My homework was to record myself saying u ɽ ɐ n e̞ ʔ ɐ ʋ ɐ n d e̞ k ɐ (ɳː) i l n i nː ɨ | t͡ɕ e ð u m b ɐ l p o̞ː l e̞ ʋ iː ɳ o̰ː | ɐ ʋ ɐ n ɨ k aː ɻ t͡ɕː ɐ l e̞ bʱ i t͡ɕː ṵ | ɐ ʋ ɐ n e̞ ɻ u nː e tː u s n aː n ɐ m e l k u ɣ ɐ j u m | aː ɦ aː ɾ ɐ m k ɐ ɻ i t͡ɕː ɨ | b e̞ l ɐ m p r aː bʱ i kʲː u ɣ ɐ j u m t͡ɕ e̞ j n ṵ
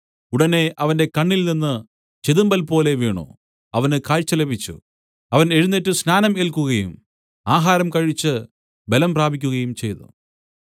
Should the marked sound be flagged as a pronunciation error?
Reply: no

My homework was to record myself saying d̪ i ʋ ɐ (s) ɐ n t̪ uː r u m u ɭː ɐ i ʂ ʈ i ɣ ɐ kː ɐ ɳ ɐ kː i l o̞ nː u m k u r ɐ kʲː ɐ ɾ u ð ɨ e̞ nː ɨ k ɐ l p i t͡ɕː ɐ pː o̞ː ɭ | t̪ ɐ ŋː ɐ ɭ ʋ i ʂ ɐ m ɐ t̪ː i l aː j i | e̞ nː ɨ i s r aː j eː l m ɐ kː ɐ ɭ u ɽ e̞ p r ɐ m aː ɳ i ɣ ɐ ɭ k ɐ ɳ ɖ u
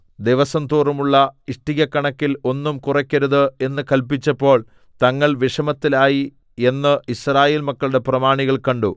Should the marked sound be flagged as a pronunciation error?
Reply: no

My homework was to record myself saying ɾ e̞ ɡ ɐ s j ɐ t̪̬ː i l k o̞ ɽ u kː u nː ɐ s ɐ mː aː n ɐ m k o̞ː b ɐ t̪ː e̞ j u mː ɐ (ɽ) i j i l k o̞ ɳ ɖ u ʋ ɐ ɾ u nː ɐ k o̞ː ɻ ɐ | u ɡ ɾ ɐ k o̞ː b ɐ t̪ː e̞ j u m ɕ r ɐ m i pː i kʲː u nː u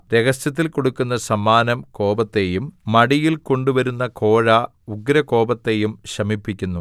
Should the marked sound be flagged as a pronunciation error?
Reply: no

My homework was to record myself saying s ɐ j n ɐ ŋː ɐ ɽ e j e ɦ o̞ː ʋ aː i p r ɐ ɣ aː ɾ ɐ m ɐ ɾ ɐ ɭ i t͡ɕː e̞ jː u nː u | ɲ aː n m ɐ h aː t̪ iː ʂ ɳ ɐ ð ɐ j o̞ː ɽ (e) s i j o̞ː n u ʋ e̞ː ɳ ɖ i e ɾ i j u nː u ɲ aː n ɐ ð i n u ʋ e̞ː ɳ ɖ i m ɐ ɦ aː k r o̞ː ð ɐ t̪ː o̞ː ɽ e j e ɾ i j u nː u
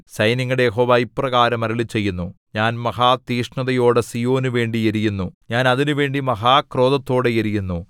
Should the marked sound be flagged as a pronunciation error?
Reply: no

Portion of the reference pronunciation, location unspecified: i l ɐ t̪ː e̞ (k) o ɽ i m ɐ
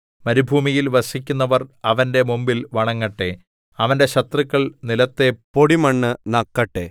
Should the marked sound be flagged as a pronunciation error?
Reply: yes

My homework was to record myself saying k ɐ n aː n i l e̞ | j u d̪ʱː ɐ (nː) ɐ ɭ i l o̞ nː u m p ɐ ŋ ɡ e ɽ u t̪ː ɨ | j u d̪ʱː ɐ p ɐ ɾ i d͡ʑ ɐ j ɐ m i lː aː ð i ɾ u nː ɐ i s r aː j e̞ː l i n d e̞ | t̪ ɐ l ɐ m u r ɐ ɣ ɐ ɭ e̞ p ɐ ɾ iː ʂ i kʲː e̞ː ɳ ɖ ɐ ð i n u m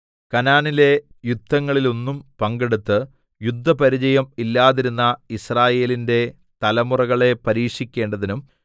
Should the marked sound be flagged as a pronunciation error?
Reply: yes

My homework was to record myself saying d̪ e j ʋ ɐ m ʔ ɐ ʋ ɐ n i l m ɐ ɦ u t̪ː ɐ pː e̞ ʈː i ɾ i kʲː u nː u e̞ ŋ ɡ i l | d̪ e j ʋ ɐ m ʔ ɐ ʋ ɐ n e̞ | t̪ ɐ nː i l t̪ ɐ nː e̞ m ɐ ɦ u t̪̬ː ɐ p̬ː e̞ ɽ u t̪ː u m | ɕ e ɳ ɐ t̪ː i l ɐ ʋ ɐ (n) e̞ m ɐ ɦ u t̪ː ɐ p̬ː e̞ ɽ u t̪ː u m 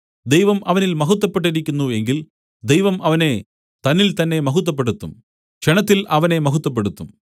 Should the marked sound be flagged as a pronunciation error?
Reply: no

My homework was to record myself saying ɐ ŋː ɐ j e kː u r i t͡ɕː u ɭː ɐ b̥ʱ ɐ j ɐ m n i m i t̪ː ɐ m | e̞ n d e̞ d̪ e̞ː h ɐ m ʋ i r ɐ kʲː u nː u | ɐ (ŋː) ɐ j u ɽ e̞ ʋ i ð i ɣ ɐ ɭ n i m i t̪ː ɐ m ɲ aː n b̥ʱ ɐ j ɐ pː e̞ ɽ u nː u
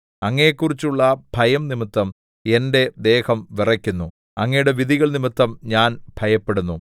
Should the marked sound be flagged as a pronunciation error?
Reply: no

